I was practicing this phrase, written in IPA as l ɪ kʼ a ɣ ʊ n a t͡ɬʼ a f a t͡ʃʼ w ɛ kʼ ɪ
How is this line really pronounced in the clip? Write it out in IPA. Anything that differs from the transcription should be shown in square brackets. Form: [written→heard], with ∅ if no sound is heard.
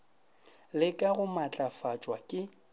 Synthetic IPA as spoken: l ɪ kʼ a ɣ ʊ [n→m] a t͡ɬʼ a f a t͡ʃʼ w [ɛ→a] kʼ ɪ